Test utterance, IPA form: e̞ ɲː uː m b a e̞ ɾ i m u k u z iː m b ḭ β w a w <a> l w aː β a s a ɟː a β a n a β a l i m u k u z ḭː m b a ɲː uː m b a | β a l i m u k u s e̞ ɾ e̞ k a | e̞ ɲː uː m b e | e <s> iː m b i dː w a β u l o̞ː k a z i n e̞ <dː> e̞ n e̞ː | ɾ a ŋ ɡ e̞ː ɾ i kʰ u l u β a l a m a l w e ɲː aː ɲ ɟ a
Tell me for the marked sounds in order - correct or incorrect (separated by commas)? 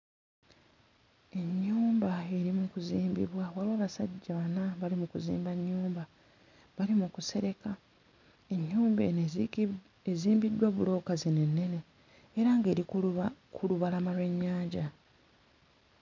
correct, incorrect, incorrect